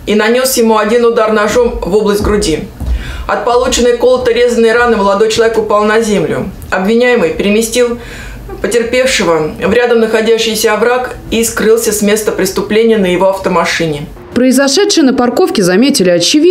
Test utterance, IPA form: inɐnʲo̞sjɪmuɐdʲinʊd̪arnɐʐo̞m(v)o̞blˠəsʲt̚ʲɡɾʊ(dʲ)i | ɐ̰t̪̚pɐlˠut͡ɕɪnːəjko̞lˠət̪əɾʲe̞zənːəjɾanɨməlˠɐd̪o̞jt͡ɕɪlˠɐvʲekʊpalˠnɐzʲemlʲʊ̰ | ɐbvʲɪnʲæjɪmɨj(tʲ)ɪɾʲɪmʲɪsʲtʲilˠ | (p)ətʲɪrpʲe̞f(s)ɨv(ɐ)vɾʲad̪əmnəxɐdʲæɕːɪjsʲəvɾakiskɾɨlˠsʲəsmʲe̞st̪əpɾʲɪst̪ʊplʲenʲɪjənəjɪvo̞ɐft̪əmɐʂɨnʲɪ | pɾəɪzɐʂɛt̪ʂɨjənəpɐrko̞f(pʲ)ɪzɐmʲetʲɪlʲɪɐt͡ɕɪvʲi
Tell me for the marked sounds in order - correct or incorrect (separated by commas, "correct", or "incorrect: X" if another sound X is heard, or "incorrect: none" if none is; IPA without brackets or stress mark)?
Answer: correct, correct, incorrect: pʲ, correct, incorrect: ʂ, incorrect: ə, incorrect: kʲ